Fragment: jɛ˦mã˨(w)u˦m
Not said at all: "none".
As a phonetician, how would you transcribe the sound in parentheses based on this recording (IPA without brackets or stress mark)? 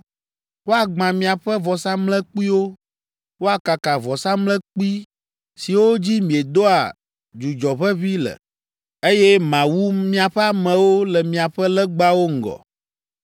w